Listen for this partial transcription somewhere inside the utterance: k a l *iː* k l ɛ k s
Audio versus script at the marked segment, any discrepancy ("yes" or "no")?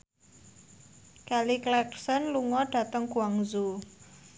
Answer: yes